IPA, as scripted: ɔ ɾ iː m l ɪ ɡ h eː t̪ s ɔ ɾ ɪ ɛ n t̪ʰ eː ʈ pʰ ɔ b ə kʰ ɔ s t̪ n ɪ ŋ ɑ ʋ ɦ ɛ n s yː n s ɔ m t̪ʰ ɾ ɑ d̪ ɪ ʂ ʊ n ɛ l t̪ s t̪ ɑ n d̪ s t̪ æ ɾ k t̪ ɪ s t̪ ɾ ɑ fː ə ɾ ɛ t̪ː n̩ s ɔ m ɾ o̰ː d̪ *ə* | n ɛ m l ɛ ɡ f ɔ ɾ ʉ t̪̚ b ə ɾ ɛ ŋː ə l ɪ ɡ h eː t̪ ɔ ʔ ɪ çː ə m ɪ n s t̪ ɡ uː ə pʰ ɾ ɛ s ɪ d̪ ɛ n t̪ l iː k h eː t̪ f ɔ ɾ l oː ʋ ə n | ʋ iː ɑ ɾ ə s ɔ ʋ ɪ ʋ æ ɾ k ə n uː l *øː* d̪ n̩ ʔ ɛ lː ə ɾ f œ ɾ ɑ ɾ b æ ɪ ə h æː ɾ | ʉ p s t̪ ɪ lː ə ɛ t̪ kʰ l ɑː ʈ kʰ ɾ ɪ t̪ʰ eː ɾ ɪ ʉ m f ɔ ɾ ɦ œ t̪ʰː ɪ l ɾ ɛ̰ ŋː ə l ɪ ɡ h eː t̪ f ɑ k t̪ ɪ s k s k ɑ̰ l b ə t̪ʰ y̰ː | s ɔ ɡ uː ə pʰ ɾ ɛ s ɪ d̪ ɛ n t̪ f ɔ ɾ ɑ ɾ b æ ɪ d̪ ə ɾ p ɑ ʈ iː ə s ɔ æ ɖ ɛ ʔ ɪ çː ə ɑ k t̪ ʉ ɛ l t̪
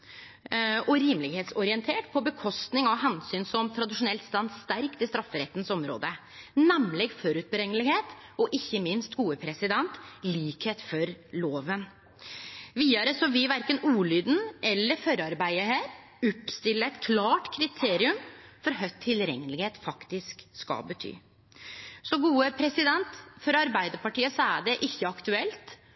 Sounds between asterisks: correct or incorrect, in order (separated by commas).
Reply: correct, incorrect